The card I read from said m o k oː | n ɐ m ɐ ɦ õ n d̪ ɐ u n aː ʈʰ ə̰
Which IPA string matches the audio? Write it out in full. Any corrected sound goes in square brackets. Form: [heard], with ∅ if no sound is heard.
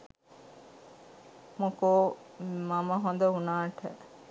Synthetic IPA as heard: m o k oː | [m] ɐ m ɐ ɦ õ n d̪ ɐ u n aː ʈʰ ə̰